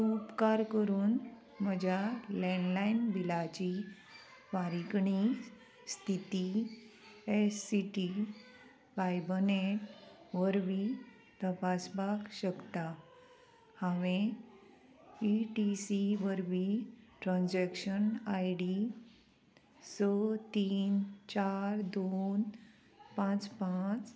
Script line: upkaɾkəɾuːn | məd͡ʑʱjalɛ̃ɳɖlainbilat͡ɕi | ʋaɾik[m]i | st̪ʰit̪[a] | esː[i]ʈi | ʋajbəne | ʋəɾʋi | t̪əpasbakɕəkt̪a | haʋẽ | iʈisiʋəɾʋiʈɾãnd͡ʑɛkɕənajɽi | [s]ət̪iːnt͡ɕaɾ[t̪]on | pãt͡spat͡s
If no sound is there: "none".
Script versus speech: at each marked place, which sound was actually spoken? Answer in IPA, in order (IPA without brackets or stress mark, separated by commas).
ɳ, i, i, s, d̪